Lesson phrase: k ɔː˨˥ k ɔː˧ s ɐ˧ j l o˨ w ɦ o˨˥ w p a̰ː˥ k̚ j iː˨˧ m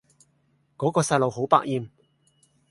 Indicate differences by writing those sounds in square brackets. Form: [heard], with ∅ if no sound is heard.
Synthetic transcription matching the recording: k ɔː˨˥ k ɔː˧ s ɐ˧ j l o˨ w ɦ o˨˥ w p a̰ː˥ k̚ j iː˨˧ m